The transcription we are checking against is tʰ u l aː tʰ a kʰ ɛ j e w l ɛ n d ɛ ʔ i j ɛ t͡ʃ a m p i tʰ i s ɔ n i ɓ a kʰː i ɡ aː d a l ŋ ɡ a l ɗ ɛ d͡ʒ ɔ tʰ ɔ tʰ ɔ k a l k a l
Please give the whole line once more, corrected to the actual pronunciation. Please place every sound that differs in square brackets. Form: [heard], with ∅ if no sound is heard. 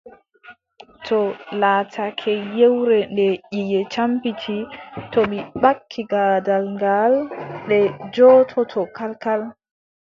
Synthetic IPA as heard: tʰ [ɔ] l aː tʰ a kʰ ɛ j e w [ɾ] ɛ n d ɛ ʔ i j ɛ t͡ʃ a m p i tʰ i [t] ɔ [m] i ɓ a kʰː i ɡ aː d a l ŋ ɡ a l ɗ ɛ d͡ʒ ɔ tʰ ɔ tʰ ɔ k a l k a l